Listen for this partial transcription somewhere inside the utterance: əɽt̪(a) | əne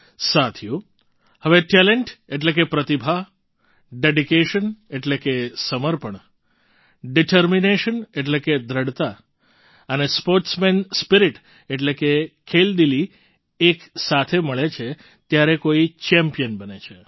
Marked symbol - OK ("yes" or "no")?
yes